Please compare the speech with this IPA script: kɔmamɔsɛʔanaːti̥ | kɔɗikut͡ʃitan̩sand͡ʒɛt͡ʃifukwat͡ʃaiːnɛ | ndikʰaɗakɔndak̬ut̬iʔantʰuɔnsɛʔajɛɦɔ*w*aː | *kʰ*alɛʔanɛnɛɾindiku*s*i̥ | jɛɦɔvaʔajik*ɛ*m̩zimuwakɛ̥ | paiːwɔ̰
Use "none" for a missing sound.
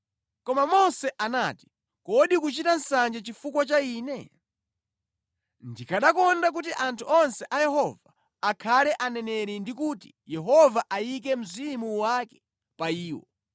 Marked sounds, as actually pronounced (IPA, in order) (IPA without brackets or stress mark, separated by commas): v, kʰ, t, ɛ